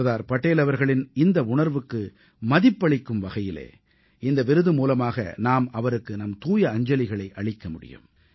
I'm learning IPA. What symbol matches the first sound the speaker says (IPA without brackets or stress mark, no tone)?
ð